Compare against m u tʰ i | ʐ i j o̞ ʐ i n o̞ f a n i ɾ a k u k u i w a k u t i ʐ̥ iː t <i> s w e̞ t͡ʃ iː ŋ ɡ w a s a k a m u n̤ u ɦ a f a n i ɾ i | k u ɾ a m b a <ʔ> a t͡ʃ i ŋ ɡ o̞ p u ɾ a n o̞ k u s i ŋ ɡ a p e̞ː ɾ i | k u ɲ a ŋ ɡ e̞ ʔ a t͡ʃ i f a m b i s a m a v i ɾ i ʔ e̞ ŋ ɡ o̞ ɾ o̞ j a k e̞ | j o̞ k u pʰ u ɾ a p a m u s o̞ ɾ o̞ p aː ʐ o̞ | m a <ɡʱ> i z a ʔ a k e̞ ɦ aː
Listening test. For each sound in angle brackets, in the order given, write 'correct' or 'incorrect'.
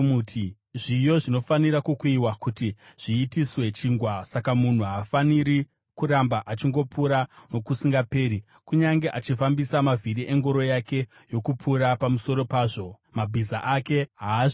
correct, correct, incorrect

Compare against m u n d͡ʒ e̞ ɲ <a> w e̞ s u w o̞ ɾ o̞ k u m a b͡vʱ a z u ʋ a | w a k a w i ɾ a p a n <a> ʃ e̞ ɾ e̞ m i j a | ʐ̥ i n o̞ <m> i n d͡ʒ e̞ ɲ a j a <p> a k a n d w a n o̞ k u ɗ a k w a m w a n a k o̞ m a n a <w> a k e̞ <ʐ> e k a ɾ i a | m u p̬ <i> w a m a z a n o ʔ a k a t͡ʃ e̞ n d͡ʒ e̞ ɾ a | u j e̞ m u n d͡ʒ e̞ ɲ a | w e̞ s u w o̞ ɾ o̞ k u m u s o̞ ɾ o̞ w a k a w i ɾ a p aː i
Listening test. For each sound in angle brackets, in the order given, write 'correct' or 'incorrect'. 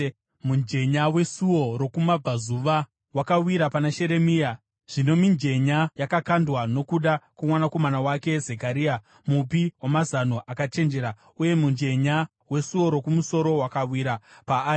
correct, correct, correct, incorrect, correct, incorrect, correct

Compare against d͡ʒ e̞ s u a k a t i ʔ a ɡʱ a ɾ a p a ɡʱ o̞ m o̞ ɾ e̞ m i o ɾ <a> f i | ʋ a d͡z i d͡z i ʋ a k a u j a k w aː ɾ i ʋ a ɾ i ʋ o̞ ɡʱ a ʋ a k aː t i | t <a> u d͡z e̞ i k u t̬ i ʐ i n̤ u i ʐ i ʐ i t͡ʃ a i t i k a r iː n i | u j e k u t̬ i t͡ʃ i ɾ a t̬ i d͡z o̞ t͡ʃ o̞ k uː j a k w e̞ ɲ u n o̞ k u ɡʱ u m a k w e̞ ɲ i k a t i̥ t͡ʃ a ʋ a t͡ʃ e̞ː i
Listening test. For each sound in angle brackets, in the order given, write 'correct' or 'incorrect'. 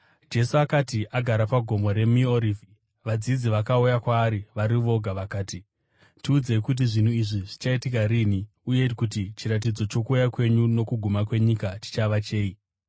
incorrect, incorrect

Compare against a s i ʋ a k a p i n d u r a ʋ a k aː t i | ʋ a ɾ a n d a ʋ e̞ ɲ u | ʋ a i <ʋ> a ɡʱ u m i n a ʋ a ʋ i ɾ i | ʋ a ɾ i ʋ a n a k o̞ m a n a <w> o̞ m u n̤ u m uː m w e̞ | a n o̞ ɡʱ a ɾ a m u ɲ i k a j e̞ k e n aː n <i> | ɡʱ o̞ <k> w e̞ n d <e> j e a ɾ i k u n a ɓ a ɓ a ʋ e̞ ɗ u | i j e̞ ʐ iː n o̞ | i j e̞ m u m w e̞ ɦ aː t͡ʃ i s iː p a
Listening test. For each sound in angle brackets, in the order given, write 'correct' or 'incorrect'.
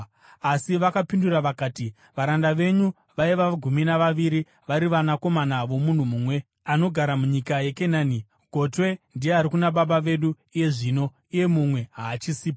correct, incorrect, correct, incorrect, incorrect

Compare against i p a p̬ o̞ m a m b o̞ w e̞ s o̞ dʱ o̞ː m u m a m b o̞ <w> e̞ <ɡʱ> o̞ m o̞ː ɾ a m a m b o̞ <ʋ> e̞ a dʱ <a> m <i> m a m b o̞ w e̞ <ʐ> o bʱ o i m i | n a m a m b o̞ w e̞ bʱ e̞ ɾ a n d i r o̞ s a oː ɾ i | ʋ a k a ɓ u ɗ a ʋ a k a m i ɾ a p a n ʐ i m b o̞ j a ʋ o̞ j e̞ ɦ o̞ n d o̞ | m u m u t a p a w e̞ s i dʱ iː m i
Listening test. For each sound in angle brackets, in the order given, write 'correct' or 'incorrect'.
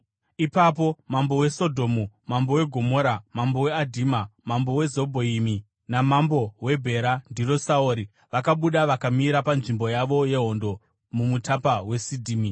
correct, correct, incorrect, incorrect, incorrect, incorrect

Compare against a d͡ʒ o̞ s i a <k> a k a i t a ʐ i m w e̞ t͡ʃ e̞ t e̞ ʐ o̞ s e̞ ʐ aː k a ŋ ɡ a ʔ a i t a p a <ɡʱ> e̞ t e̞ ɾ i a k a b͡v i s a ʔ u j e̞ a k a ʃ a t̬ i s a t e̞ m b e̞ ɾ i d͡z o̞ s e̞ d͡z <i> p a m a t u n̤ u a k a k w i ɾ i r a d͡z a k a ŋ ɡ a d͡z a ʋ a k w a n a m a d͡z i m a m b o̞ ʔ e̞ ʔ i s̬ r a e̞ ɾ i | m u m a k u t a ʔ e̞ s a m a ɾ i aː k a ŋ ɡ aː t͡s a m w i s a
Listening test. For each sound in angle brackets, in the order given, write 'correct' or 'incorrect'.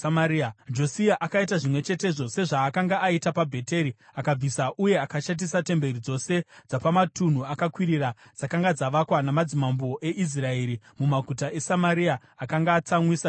incorrect, incorrect, incorrect

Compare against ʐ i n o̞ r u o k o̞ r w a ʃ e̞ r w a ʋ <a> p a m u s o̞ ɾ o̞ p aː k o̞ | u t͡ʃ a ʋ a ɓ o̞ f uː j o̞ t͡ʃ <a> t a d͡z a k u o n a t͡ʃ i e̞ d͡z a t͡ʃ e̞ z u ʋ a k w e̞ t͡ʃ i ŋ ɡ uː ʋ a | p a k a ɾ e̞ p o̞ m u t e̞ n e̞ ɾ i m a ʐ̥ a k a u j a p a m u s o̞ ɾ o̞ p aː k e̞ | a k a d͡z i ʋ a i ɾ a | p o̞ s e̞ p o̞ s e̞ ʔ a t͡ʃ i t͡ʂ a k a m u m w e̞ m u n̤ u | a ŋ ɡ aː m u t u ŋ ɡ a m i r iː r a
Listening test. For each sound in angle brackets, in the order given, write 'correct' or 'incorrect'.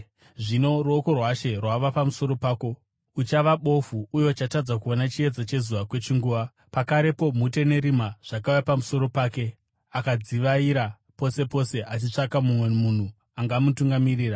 correct, correct

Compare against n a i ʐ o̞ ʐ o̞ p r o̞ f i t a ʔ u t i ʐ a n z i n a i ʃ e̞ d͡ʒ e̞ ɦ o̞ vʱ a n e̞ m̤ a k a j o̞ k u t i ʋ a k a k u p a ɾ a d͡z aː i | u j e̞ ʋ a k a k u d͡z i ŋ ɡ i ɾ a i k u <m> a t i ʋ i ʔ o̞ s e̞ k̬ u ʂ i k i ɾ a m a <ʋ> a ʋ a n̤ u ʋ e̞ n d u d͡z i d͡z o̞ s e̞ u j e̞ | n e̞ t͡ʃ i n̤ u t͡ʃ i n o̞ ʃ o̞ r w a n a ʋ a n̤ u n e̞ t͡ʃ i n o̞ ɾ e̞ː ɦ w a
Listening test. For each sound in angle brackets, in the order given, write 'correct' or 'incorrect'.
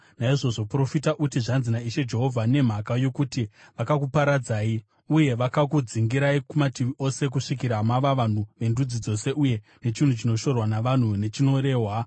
correct, correct

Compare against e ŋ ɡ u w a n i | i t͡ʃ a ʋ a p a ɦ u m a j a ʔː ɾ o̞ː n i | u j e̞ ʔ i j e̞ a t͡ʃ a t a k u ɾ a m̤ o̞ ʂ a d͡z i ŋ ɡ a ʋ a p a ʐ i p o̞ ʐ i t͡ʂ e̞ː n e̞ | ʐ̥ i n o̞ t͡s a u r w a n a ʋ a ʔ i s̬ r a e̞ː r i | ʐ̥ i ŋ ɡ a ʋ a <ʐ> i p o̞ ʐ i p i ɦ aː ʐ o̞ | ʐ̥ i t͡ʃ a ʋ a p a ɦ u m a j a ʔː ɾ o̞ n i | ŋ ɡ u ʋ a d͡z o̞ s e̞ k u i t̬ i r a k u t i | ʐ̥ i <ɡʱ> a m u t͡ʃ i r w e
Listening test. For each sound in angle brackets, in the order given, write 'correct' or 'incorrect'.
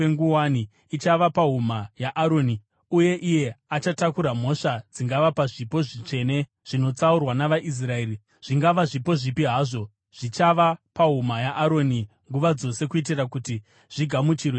correct, correct

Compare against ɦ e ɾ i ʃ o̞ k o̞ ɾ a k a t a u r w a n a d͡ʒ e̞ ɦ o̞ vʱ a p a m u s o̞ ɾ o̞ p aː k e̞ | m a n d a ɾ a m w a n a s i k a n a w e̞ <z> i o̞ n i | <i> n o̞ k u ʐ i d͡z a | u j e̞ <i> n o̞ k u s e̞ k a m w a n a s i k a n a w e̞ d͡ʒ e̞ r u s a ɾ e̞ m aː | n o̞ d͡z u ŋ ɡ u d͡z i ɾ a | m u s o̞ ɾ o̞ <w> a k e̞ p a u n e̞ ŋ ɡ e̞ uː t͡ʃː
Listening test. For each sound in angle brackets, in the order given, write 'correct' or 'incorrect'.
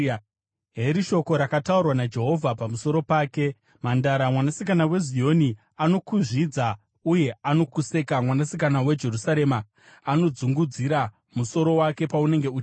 correct, incorrect, incorrect, correct

